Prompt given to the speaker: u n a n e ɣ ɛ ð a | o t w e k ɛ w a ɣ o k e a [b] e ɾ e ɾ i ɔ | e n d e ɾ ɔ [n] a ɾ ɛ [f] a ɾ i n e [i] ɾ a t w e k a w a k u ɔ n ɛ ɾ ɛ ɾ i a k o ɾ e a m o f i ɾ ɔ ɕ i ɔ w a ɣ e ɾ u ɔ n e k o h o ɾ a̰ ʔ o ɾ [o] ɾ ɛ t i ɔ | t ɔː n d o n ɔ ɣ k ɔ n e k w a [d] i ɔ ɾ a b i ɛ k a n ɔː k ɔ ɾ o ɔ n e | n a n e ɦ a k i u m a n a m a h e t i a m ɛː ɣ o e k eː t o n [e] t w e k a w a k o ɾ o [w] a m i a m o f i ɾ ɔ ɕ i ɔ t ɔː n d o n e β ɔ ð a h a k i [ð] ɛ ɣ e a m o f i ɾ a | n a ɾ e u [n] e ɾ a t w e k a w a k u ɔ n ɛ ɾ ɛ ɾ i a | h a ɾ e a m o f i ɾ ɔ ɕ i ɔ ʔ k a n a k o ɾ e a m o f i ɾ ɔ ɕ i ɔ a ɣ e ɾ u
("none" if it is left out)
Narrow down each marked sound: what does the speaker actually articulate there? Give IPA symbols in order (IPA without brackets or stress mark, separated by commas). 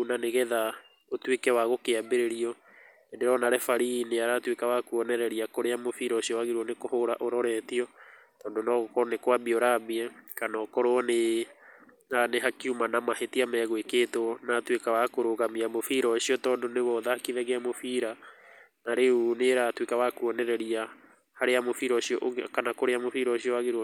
b, n, f, a, ɔ, b, a, ɣ, ð, n